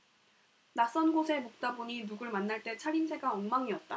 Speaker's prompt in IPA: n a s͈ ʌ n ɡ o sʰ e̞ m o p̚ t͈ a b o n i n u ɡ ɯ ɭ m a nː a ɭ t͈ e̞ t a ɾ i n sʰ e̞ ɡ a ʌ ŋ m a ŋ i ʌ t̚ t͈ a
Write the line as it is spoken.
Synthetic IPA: n a s͈ ʌ n ɡ o sʰ e̞ m o k̚ t͈ a b o ɲ i n u ɡ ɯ ɭ m a nː a ɭ t͈ e̞ t͡ɕʰ a ɾ i n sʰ e̞ ɡ a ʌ ŋ m a ŋ i ʌ t̚ t͈ a